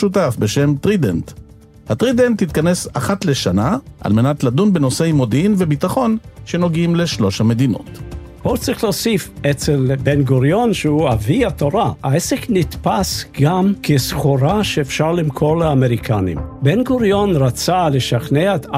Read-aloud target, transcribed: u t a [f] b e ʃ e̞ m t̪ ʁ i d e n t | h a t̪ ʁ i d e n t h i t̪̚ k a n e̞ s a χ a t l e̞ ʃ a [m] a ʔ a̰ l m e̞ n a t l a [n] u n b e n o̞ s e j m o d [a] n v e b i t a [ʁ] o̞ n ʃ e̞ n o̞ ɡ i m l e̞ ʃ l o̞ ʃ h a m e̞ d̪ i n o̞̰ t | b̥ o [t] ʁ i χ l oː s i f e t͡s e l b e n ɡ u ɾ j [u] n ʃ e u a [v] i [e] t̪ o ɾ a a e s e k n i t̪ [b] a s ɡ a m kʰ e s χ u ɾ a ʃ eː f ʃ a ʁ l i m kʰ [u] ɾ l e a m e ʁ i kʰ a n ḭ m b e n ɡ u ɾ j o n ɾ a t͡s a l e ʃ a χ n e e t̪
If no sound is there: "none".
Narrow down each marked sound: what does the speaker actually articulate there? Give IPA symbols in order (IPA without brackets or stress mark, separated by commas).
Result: f, n, d, i, χ, t͡s, o, v, a, p, o